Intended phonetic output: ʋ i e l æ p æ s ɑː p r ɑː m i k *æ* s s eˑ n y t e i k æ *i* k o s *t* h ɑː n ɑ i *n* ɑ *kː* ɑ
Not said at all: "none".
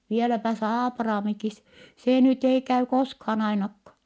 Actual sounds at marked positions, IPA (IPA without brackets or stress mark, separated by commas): i, y, k, n, kː